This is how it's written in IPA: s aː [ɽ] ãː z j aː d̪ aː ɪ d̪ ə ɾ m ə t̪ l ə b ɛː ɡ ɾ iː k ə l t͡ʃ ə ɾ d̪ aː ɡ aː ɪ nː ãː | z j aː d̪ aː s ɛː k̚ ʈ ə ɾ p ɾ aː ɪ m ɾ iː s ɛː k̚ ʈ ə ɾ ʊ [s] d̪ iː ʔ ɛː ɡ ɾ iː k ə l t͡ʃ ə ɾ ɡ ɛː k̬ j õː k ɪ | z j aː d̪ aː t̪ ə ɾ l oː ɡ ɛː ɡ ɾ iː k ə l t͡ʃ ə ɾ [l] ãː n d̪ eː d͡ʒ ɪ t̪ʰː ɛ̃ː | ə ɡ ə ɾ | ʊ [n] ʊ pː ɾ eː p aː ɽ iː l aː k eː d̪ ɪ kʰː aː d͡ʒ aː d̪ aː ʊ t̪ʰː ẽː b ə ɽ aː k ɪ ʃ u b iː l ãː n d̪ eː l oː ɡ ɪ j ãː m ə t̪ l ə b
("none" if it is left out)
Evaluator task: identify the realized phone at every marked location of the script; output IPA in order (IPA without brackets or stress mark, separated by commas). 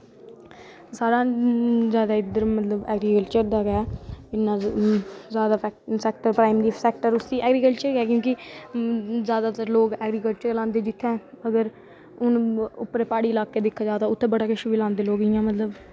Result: ɾ, s, l, n